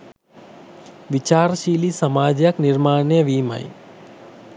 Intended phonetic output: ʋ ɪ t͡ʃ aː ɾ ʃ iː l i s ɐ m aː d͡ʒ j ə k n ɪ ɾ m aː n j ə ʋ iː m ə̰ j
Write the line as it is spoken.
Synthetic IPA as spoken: ʋ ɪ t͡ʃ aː ɾ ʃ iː l i s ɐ m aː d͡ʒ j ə k n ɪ ɾ m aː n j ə ʋ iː m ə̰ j